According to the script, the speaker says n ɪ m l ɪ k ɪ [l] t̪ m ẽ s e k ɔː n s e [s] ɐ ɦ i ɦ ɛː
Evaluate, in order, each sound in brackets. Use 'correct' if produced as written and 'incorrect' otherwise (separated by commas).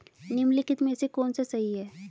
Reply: incorrect, correct